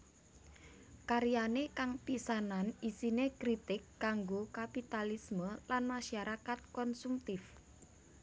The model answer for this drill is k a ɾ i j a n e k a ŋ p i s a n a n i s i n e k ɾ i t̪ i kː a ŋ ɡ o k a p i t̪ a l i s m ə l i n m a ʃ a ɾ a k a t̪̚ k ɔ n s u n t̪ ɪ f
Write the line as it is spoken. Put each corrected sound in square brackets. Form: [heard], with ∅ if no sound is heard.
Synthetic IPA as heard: k a ɾ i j a n e k a ŋ p i s a n a n i s i n e k ɾ i t̪ [ɪ] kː a ŋ ɡ o k a p i t̪ a l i s m ə l [a] n m a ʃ a ɾ a k a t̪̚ k ɔ n s u [m] t̪ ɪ f